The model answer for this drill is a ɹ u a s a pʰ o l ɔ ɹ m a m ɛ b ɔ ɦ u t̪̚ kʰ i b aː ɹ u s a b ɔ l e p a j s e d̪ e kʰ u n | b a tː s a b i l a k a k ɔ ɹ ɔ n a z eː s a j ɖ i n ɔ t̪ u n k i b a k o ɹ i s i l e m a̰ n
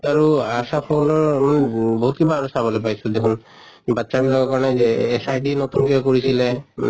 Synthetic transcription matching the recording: a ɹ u a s a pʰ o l ɔ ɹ m a n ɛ b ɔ ɦ u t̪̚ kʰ i b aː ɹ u s a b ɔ l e p a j s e d̪ e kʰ u n | b a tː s a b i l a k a k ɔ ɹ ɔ n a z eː s a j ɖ i n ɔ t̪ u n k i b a k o ɹ i s i l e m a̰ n

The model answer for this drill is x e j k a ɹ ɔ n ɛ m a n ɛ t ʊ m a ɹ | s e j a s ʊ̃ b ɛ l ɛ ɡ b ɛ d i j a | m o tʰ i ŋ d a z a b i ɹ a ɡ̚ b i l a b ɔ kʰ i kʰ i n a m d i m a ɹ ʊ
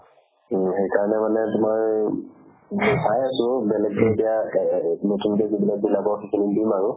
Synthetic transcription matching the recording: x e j k a ɹ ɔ n ɛ m a n ɛ t ʊ m a ɹ | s a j a s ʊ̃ b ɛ l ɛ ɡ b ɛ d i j a | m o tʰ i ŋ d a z i b i l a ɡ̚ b i l a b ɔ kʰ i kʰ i n i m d i m a ɹ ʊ

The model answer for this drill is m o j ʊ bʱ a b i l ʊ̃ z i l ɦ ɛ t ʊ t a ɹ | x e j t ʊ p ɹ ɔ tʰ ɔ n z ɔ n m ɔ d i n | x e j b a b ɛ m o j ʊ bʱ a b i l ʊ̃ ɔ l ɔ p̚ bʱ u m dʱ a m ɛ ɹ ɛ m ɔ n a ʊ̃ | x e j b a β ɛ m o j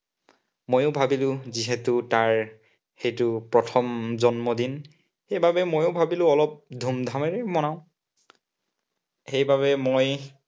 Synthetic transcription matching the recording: m o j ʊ bʱ a b i l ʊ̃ z i ɦ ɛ t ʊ t a ɹ | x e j t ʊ p ɹ ɔ tʰ ɔ m z ɔ n m ɔ d i n | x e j b a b ɛ m o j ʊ bʱ a b i l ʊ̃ ɔ l ɔ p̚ dʱ u m dʱ a m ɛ ɹ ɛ m ɔ n a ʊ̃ | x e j b a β ɛ m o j

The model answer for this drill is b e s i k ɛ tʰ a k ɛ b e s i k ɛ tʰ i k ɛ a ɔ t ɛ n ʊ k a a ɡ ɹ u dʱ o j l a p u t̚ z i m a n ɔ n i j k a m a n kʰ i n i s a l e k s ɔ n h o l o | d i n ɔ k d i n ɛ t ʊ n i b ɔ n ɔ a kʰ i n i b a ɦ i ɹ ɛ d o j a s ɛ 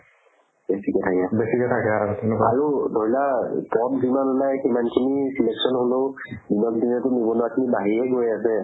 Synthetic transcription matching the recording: b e s i k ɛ tʰ a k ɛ b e s i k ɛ tʰ a k ɛ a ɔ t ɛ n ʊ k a a ɹ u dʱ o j l a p ɔ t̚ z i m a n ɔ n a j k i m a n kʰ i n i s i l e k s ɔ n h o l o | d i n ɔ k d i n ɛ t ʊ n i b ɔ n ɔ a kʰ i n i b a ɦ i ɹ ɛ ɡ o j a s ɛ

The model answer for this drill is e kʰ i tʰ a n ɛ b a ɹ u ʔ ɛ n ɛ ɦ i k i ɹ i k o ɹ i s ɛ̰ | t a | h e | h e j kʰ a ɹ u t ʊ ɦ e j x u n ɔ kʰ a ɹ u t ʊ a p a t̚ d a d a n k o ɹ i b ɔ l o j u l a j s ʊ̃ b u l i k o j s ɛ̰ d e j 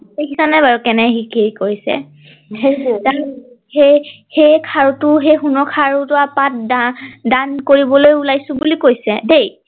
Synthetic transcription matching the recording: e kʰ i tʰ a n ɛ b a ɹ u k ɛ n ɛ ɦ i k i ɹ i k o ɹ i s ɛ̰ | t a | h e | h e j kʰ a ɹ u t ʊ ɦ e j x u n ɔ kʰ a ɹ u t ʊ a p a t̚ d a d a n k o ɹ i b ɔ l o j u l a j s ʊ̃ b u l i k o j s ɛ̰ d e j

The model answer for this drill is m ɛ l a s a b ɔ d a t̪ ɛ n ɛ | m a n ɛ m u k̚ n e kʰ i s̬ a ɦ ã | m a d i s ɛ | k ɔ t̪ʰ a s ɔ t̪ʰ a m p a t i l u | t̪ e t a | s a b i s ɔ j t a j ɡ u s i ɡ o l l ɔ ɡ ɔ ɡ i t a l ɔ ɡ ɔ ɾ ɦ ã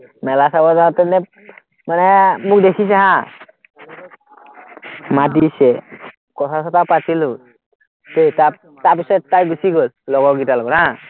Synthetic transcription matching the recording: m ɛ l a s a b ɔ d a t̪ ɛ n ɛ | m a n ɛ m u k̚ d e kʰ i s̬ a ɦ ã | m a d i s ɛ | k ɔ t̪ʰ a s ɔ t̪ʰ a p a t i l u | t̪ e t a | t a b i s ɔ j t a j ɡ u s i ɡ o l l ɔ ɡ ɔ ɡ i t a l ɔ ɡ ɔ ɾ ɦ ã

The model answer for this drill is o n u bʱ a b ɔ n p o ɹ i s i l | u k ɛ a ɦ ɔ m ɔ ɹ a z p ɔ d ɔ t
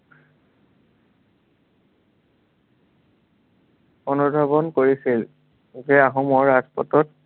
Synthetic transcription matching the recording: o n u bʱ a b ɔ n k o ɹ i s i l | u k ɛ a ɦ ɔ m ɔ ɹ a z p ɔ t ɔ t

